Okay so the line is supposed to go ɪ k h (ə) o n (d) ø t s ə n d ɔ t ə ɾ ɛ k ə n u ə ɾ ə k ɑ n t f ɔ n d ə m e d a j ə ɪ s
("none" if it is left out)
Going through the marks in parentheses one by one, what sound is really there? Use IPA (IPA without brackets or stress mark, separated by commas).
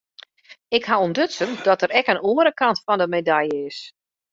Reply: a, d